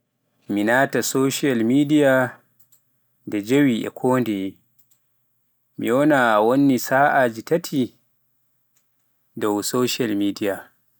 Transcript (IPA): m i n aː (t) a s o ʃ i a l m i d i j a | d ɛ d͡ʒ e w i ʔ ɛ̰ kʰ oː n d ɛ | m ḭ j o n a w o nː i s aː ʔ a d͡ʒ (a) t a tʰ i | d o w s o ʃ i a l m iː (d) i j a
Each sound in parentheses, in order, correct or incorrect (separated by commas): correct, incorrect, correct